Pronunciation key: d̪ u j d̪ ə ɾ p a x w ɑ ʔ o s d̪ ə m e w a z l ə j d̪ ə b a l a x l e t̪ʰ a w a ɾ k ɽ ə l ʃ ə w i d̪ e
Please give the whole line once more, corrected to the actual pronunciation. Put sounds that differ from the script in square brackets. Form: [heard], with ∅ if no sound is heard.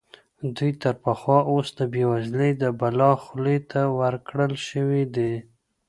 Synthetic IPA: d̪ u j [t̪] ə ɾ p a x w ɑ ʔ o s d̪ ə [b] e w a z l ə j d̪ ə b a l [ɑ] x l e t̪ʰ a w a ɾ k ɽ ə l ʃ ə w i d̪ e